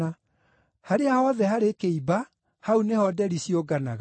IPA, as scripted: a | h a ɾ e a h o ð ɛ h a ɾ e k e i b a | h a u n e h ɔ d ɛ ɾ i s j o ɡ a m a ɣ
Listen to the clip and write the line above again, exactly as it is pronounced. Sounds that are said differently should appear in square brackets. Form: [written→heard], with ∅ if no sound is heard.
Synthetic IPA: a | h a ɾ e a h [o→ɔ] ð ɛ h a ɾ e k e i b a | h a u n e h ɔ d ɛ ɾ i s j o ɡ a [m→n] a ɣ